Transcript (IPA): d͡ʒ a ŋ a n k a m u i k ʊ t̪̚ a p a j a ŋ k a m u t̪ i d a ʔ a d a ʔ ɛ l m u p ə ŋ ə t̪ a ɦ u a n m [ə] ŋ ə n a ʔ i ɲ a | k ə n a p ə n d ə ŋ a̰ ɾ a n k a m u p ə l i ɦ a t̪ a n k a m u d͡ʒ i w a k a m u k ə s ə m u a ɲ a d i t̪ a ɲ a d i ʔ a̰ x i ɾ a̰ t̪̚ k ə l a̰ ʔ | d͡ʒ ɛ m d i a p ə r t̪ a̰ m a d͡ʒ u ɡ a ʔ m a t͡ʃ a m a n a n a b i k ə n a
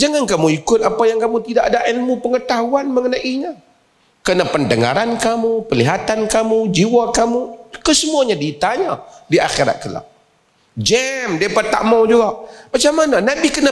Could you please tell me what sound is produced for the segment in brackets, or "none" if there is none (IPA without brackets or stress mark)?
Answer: ə